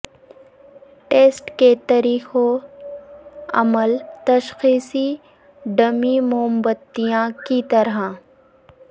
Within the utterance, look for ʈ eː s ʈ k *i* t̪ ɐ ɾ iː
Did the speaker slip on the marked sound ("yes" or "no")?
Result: yes